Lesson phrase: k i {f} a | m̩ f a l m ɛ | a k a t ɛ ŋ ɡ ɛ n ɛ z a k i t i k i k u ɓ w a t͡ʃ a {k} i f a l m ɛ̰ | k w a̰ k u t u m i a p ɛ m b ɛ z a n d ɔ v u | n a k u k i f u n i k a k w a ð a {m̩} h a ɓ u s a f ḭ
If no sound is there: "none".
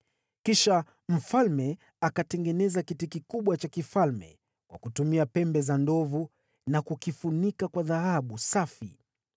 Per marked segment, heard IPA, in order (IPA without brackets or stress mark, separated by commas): ʃ, k, none